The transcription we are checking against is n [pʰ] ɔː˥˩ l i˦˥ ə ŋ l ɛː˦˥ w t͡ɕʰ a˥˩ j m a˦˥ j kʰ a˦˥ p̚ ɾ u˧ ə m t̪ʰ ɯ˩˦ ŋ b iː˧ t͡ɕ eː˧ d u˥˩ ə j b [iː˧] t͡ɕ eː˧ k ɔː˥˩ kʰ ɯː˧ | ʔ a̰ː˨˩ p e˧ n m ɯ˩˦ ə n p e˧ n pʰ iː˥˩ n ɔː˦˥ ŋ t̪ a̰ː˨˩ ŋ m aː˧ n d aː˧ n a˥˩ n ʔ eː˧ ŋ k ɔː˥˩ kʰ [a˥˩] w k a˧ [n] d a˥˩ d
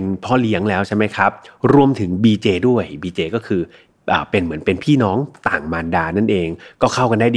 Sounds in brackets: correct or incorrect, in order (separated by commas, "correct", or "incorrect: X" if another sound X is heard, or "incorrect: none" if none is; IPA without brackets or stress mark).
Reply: correct, correct, correct, correct